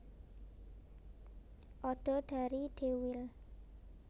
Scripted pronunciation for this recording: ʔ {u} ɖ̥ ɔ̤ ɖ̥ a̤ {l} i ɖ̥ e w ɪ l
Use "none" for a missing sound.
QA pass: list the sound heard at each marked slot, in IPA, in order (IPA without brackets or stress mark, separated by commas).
ɔ, ɾ